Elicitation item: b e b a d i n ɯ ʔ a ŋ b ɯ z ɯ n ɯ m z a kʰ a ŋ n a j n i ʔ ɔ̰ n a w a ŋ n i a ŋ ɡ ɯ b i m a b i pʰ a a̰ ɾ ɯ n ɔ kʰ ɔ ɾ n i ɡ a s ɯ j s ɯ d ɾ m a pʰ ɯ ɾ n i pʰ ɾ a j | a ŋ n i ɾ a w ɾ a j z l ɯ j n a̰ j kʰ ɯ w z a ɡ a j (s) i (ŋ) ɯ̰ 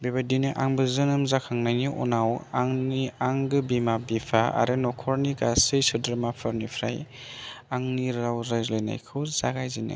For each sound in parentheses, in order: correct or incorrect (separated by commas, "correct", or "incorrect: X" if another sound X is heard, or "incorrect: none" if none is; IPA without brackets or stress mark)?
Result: incorrect: z, incorrect: n